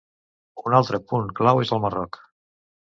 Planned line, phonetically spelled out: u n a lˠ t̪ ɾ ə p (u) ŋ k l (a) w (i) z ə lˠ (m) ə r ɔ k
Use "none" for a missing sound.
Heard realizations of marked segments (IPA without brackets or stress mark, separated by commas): u, a, e, m